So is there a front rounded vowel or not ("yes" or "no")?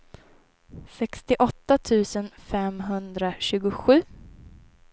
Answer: no